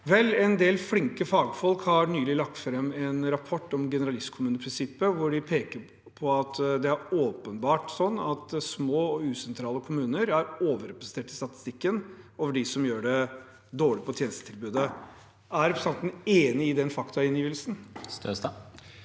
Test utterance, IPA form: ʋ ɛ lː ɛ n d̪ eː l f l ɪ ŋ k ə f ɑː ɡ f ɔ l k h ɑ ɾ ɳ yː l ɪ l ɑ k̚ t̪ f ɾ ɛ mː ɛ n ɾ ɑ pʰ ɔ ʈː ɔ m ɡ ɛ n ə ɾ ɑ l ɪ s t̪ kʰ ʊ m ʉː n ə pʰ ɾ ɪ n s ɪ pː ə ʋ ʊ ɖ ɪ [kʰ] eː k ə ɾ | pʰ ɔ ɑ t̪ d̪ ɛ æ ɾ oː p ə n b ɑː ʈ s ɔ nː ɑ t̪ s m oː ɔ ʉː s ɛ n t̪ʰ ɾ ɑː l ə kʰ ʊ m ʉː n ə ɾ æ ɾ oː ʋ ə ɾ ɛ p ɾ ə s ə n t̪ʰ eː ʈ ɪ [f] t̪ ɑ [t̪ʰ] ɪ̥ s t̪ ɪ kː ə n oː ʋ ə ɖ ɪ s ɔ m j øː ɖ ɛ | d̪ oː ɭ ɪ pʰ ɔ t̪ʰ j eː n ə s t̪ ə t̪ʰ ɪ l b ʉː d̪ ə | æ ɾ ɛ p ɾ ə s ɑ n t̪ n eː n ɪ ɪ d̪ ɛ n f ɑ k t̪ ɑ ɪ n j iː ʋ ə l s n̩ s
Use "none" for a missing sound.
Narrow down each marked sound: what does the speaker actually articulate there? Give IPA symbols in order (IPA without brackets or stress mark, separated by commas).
pʰ, s, t̪